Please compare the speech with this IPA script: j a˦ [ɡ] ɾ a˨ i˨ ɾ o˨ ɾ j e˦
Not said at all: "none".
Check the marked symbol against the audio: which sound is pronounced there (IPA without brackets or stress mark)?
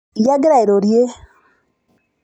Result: ɡ